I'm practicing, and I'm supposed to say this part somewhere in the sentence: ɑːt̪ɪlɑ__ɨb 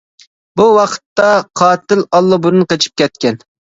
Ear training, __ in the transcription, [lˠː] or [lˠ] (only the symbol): lˠː